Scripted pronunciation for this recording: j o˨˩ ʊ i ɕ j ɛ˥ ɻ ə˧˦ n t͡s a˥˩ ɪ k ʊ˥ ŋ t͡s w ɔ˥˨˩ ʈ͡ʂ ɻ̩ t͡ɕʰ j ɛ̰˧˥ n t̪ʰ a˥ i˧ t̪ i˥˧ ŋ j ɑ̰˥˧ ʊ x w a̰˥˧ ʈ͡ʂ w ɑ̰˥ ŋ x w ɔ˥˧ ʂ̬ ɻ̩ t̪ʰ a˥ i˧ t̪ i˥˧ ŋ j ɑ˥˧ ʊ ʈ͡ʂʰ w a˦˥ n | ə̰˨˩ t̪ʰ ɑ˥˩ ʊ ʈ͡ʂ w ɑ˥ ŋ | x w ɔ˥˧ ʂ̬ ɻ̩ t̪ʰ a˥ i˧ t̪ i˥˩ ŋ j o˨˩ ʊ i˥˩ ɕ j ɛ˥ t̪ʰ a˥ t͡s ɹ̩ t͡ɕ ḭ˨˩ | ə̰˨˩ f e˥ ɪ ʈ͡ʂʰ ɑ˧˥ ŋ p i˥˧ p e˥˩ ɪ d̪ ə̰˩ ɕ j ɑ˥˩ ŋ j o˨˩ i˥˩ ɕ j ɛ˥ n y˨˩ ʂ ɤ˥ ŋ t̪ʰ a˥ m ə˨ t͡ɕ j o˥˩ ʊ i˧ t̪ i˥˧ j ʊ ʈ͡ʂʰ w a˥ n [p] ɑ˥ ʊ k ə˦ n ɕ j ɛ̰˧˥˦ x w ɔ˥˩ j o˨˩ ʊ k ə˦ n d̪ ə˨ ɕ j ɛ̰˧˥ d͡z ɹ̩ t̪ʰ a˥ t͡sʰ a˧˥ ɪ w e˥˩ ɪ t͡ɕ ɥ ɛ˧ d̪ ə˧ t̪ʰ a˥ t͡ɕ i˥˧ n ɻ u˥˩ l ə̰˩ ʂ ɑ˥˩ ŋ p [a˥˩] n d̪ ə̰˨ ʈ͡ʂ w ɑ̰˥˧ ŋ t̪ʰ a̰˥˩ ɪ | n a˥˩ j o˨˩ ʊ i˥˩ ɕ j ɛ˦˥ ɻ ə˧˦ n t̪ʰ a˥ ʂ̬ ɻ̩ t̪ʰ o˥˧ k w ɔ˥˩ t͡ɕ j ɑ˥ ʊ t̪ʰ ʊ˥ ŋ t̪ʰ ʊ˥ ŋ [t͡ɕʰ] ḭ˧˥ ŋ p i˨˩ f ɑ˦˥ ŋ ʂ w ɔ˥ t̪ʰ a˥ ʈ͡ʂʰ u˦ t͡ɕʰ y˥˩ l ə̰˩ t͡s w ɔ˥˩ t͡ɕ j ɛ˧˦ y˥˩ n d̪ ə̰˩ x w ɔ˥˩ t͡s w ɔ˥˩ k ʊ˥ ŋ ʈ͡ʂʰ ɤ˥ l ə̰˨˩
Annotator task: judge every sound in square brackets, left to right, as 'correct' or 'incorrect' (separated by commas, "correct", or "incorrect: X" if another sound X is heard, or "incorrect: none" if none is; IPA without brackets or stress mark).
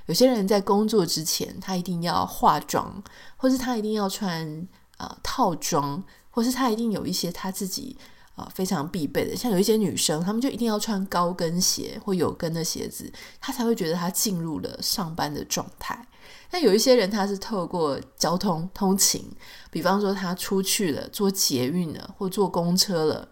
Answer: incorrect: k, incorrect: a˦˥, correct